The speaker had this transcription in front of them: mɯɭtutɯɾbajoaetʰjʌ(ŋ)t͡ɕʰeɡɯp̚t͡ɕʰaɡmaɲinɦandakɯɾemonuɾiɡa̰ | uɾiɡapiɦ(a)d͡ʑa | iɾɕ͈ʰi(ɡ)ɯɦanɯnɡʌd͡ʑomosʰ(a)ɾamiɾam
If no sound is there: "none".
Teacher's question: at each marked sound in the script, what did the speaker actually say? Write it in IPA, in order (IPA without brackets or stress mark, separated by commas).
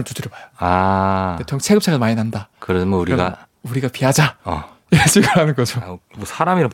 ŋ, a, ɡ, a